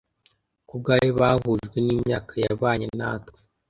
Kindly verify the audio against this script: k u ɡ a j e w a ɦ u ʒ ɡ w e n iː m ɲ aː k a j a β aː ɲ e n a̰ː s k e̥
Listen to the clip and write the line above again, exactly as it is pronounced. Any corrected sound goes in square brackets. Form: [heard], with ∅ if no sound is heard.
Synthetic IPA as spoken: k u ɡ a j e [β] a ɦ u ʒ ɡ w e n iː m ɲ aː k a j a β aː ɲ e n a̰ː [t] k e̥